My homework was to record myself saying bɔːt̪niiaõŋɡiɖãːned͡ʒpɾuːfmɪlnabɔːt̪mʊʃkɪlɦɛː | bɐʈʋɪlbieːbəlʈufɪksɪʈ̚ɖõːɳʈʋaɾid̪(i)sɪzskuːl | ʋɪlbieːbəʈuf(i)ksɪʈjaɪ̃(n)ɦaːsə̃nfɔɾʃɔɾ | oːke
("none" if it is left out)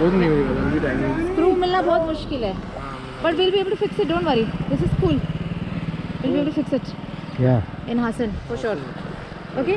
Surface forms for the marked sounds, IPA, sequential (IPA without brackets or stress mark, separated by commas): ɪ, ɪ, n